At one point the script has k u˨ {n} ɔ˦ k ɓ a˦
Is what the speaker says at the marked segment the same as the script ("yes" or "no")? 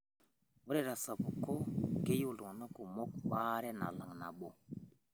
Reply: no